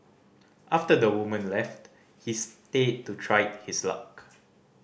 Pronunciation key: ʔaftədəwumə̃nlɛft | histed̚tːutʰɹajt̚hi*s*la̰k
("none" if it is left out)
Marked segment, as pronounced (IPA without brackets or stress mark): s